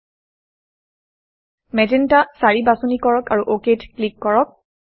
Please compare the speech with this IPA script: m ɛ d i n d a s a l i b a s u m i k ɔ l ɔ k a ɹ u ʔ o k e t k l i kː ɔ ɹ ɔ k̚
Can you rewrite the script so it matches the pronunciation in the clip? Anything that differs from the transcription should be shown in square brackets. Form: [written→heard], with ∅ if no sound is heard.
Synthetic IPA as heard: m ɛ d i n [d→t] a s a [l→ɹ] i b a s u [m→n] i k ɔ [l→ɹ] ɔ k a ɹ u ʔ o k e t k l i kː ɔ ɹ ɔ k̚